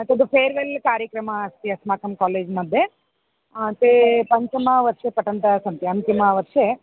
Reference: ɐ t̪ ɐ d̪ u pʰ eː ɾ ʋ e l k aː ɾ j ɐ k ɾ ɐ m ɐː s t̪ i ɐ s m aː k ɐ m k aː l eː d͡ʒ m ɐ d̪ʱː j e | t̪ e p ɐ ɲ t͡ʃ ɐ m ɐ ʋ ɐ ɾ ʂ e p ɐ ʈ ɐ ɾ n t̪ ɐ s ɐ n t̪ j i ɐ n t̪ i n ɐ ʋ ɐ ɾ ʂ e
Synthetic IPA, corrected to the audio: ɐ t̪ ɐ d̪ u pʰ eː ɾ ʋ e l k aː ɾ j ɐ k ɾ ɐ m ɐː s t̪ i ɐ s m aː k ɐ m k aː l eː d͡ʒ m ɐ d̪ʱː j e | t̪ e p ɐ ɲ t͡ʃ ɐ m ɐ ʋ ɐ ɾ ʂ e p ɐ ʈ ɐ n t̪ ɐ s ɐ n t̪ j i ɐ n t̪ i m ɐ ʋ ɐ ɾ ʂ e